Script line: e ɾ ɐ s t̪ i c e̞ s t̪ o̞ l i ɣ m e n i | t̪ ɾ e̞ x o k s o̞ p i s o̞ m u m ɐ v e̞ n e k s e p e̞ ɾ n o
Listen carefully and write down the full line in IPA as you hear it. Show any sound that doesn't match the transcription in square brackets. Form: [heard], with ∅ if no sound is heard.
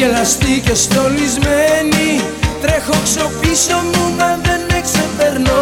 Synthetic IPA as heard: e [l] ɐ s t̪ i c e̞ s t̪ o̞ l i [z] m e n i | t̪ ɾ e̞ x o k s o̞ p i s o̞ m u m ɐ [ð] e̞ n e k s e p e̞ ɾ n o